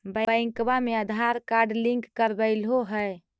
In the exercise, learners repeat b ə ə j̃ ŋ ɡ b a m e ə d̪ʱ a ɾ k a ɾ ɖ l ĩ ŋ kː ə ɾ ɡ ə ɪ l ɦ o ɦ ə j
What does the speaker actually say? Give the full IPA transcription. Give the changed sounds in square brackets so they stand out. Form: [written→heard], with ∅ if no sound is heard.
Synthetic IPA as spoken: b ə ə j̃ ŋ [ɡ→k] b a m e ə d̪ʱ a ɾ k a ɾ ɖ l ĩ ŋ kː ə ɾ [ɡ→b] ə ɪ l ɦ o ɦ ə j